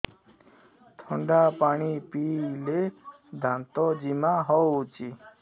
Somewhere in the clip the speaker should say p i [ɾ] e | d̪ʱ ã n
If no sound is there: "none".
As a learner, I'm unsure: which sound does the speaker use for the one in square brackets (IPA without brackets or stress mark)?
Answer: l